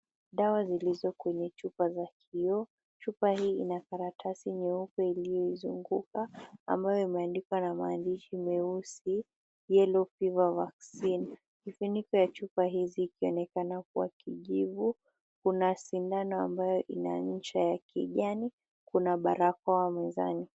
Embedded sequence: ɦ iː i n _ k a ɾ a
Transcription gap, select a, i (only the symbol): a